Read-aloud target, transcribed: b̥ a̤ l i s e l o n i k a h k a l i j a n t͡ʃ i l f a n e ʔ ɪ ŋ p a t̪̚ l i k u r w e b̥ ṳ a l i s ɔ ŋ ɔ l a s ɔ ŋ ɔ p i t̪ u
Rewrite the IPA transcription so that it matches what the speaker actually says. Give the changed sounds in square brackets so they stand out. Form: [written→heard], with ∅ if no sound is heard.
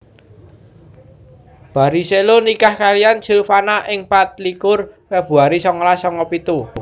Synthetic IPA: b̥ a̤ [l→ɾ] i s e l o n i k a h k a l i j a n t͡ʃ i l f a n [e→a] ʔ ɪ ŋ p a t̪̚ l i k [u→ʊ] r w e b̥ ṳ a [l→ɾ] i s ɔ ŋ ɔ l a s ɔ ŋ ɔ p i t̪ u